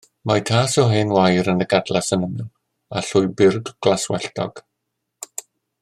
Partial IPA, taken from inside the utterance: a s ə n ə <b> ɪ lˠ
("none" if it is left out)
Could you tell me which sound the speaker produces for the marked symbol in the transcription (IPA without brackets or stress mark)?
m